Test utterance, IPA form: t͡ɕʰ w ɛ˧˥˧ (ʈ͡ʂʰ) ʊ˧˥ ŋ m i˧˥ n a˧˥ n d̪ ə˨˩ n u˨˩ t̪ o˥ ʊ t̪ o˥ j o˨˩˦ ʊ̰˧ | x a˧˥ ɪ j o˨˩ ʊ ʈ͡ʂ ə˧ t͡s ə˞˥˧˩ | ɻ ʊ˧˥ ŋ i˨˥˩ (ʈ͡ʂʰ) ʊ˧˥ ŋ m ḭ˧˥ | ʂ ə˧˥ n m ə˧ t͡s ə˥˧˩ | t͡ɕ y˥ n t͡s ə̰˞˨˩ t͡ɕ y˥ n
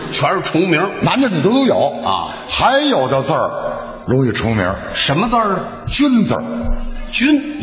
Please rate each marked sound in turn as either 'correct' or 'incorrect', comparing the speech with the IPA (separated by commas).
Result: correct, correct